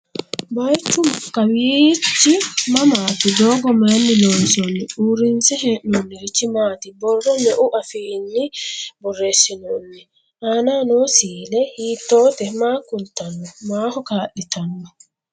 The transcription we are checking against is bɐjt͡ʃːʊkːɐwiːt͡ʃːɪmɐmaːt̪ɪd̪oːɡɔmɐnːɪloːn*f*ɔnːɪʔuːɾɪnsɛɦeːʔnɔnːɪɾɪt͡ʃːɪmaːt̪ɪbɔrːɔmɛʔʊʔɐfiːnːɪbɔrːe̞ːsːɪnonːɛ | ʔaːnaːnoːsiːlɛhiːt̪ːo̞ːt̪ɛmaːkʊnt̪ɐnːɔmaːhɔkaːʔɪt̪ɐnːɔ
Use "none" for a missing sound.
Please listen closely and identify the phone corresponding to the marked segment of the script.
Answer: s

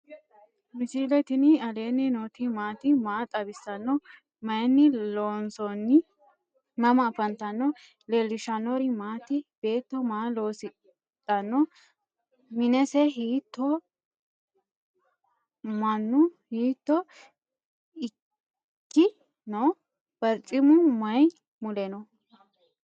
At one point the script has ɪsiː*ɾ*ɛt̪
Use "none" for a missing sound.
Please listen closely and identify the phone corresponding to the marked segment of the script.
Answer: l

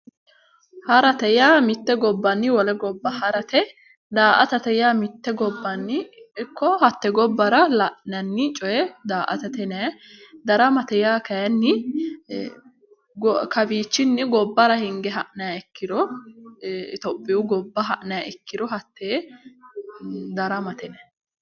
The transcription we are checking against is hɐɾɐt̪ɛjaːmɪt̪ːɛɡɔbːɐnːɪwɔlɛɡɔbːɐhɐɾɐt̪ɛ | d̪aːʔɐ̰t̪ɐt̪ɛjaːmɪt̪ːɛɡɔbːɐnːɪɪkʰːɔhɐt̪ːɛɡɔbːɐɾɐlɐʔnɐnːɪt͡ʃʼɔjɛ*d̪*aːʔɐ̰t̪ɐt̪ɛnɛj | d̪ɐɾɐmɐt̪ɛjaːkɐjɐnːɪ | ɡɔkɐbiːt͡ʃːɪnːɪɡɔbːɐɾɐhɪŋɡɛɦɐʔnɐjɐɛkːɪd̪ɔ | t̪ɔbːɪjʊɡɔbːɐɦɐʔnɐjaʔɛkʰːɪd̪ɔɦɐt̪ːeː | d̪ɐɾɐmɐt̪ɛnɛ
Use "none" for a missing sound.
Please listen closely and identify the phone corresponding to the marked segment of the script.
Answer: d̪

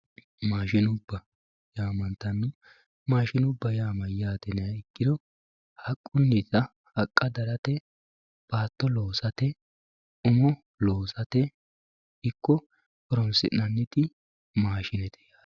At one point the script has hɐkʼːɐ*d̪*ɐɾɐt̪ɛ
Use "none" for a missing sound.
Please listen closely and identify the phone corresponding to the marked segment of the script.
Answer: d̪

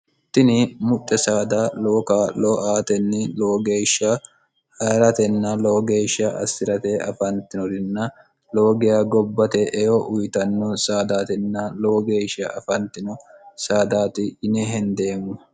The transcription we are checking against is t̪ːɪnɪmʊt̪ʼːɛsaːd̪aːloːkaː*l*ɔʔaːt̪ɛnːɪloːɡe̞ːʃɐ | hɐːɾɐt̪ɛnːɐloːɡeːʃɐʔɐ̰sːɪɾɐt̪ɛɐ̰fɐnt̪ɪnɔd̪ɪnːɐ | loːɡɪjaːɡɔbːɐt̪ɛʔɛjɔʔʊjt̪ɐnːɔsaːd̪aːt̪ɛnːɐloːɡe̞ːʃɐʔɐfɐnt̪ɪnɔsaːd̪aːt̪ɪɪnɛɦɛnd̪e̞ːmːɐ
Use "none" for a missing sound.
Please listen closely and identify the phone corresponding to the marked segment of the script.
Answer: l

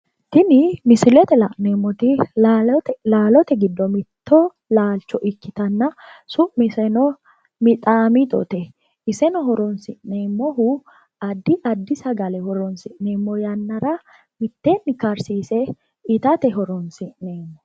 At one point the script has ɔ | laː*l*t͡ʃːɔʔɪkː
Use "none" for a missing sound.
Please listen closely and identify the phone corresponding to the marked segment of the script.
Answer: l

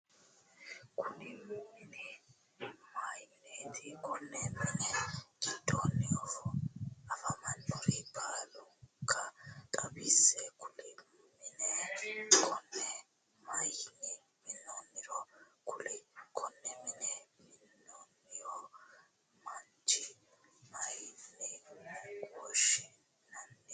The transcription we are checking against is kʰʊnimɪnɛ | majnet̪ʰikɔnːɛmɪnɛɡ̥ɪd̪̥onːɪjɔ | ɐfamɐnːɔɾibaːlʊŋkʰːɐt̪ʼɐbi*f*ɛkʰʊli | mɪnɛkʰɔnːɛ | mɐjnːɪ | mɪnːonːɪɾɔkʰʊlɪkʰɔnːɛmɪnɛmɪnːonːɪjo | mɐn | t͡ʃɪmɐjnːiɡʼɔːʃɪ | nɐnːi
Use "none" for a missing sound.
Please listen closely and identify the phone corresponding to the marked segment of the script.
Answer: s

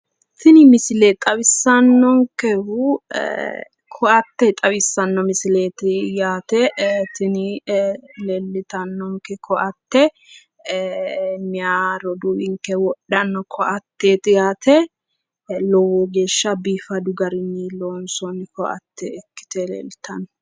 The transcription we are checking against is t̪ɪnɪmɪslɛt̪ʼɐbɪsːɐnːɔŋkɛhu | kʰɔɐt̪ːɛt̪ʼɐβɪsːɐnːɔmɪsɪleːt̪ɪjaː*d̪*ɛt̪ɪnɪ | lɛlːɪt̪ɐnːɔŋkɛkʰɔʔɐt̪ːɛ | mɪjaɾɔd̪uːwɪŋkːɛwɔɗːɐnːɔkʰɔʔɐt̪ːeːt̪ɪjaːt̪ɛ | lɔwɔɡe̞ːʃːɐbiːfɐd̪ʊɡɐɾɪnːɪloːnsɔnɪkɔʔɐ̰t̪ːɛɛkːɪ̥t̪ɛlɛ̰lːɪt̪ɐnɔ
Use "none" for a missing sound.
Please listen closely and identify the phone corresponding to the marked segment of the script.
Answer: t̪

